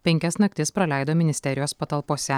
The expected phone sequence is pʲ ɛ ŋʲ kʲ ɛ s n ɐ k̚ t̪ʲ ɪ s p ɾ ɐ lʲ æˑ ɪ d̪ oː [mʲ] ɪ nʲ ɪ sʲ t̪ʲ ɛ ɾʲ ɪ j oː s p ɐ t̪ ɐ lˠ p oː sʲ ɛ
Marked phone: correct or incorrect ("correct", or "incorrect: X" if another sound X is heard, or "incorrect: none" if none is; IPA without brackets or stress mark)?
correct